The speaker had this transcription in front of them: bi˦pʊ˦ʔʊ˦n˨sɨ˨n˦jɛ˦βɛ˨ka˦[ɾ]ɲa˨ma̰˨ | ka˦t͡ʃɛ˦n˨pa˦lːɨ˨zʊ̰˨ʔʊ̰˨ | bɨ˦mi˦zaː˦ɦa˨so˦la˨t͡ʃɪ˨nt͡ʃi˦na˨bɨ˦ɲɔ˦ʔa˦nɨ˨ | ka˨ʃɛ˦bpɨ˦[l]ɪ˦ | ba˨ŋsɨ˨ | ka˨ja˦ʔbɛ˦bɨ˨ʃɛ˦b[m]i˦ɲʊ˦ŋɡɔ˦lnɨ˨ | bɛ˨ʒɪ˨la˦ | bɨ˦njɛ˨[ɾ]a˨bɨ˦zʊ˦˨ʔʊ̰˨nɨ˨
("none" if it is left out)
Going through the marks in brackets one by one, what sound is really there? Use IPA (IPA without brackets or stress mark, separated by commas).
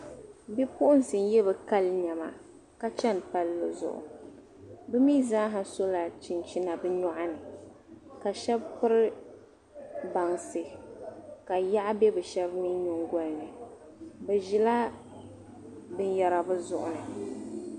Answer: l, ɾ, m, ɾ